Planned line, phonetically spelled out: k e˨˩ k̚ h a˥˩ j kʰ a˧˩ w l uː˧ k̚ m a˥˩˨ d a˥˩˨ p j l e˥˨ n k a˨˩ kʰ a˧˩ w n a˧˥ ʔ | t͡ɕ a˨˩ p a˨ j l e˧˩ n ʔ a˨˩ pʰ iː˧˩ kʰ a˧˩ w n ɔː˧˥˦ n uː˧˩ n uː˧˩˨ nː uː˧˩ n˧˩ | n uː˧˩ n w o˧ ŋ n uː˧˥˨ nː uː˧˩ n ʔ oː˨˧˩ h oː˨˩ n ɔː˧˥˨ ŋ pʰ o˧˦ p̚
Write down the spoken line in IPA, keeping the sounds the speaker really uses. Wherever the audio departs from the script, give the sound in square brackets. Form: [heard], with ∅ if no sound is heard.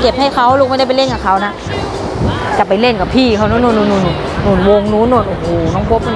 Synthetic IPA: k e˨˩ [p̚] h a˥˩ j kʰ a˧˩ w l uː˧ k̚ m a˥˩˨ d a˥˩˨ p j l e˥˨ n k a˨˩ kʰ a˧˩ w n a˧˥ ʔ | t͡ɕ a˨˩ p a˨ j l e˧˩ n [k] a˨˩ pʰ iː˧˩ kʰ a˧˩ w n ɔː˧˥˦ n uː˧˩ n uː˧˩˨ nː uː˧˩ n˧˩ | n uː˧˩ n w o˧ ŋ n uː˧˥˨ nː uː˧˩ n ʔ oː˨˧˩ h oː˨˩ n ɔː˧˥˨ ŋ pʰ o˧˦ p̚